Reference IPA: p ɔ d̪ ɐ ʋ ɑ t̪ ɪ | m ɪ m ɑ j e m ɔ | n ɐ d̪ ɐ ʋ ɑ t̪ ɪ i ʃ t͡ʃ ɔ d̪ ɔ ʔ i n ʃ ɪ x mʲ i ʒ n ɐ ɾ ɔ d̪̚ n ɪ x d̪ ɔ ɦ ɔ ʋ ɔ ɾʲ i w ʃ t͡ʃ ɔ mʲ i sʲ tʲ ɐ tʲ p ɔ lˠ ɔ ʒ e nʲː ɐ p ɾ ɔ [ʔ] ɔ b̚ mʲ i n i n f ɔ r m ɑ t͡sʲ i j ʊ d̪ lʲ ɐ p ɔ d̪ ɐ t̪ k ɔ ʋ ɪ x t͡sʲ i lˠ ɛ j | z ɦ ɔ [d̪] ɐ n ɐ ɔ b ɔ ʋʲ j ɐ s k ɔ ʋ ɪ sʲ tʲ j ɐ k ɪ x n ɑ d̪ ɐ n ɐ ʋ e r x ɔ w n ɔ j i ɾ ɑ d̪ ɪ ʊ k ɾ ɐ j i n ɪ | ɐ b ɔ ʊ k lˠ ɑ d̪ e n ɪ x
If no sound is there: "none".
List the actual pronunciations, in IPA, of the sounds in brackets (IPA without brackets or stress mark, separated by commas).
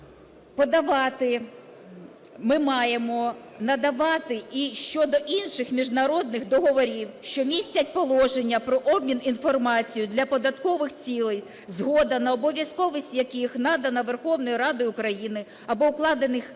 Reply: ʔ, d̪